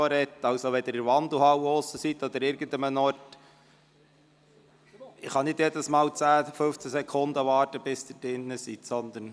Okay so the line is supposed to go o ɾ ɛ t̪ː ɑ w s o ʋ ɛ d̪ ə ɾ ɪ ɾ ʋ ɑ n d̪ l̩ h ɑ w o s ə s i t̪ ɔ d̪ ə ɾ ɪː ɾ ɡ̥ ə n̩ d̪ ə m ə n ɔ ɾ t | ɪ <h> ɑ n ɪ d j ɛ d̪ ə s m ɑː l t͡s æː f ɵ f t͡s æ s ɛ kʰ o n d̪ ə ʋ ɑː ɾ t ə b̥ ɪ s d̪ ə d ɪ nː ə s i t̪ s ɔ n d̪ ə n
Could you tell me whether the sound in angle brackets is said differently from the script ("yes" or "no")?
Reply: yes